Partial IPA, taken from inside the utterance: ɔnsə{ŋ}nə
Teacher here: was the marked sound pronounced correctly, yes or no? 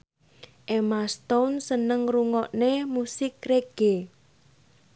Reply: no